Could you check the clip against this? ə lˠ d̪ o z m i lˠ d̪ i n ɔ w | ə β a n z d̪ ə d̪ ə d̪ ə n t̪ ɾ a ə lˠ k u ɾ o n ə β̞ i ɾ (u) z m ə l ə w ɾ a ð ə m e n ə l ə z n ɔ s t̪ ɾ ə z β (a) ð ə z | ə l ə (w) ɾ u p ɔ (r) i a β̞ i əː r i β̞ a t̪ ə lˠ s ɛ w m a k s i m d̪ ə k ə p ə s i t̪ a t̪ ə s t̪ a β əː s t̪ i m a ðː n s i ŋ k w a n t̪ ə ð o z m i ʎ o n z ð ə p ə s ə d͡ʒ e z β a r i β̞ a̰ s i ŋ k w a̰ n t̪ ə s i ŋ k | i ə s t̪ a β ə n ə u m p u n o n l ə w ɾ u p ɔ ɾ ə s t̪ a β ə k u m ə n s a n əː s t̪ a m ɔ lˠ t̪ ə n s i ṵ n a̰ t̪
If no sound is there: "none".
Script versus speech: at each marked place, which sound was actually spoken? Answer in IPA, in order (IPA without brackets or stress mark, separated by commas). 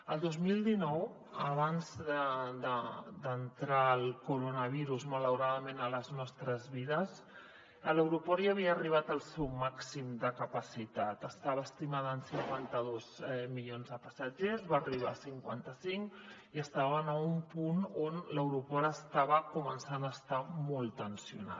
u, i, w, ɾ